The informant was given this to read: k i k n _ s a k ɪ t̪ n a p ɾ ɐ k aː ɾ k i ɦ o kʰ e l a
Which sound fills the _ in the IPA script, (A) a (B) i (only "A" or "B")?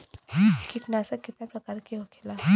A